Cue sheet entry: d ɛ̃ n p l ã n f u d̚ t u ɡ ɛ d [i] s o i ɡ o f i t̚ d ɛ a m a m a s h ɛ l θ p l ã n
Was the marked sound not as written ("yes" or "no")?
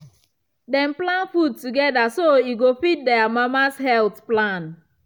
yes